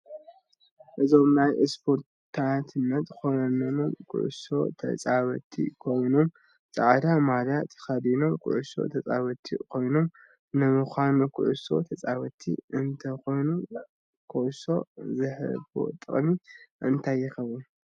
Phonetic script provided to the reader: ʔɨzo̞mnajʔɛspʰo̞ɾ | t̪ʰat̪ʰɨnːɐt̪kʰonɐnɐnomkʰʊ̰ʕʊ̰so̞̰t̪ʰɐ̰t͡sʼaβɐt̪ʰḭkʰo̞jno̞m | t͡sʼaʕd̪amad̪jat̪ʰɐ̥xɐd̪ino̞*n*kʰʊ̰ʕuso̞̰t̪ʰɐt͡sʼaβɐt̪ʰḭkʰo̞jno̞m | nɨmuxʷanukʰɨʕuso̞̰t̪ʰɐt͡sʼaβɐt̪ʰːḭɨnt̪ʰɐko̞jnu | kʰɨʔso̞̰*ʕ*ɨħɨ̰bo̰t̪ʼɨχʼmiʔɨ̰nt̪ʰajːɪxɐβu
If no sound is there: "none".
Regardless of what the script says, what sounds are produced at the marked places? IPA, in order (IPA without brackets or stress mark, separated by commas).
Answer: m, z